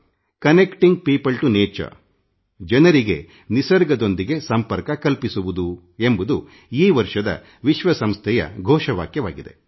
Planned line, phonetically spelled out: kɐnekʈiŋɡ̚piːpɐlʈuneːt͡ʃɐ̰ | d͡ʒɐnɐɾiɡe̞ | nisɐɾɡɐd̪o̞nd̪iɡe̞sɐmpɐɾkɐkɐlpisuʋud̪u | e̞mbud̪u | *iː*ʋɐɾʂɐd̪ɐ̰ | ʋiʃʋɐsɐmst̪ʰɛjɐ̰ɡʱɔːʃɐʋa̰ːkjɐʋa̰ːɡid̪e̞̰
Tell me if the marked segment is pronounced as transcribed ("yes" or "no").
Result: yes